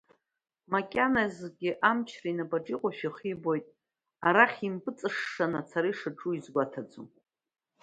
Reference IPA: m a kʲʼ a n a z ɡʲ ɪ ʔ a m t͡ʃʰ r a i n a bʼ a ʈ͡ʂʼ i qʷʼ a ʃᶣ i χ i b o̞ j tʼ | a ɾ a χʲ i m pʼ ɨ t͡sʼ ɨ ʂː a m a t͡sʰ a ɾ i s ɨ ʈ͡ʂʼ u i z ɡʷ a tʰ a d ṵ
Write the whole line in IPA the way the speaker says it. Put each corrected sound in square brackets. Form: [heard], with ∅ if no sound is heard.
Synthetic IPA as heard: m a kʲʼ a n a z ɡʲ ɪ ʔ a m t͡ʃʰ r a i n a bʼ a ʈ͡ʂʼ i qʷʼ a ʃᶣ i χ i b o̞ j tʼ | a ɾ a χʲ i m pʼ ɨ t͡sʼ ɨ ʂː a [n] a t͡sʰ a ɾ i [ʂ] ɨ ʈ͡ʂʼ u i z ɡʷ a tʰ a [d͡z] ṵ